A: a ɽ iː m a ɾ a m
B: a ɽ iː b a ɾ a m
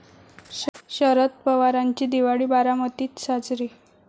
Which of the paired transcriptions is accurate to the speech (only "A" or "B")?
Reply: B